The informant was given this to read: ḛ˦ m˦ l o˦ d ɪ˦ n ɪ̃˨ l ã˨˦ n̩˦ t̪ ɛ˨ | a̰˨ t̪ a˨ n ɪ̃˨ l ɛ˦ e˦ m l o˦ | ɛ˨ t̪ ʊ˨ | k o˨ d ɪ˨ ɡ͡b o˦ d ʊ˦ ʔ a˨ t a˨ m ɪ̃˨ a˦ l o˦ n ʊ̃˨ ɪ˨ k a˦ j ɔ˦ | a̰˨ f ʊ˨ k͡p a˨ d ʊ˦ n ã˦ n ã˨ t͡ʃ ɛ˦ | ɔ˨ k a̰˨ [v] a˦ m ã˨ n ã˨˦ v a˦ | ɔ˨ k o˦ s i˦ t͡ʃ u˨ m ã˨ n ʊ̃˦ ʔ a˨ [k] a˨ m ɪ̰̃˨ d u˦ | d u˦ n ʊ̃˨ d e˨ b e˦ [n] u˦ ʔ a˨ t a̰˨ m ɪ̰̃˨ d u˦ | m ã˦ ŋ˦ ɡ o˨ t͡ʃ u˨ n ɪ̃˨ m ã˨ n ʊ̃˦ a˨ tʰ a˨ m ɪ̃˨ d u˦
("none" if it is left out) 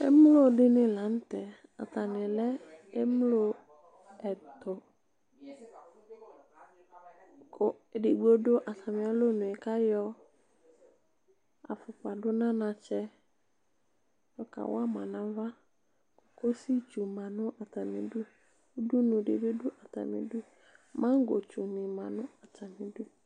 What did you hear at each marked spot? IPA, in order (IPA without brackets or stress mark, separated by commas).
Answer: w, t, d